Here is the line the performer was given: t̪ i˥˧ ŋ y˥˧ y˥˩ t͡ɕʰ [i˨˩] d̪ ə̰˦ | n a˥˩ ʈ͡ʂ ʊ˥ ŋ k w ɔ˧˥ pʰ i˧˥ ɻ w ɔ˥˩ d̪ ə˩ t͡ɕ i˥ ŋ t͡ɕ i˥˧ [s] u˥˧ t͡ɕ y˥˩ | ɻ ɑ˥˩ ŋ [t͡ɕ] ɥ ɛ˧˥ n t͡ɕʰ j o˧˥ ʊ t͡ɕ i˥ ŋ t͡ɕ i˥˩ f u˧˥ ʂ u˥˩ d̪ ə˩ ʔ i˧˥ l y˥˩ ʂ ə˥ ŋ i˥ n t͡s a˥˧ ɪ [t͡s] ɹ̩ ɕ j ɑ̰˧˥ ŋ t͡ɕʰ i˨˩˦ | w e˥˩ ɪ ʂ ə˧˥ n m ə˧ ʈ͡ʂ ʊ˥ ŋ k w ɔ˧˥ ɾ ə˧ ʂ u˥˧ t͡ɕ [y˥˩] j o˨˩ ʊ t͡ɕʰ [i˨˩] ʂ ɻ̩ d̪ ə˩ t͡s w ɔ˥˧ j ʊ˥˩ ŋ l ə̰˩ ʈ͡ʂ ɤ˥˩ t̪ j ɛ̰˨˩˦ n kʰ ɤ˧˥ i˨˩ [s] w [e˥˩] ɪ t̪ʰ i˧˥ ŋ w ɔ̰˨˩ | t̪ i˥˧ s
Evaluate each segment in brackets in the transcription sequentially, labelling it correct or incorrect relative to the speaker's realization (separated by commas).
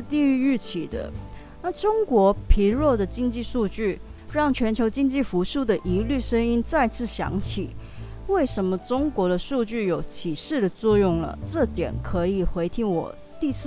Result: correct, incorrect, incorrect, incorrect, correct, correct, incorrect, incorrect